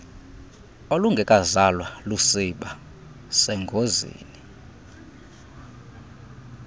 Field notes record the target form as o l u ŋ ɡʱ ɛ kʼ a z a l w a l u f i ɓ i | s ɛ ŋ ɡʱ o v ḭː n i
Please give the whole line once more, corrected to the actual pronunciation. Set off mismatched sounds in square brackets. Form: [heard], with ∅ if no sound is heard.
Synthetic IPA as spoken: o l u ŋ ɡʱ ɛ kʼ a z a l w a l u [s] i ɓ [a] | s ɛ ŋ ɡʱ o [z] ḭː n i